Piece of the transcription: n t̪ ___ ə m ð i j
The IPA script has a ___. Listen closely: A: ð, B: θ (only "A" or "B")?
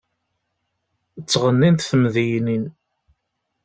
B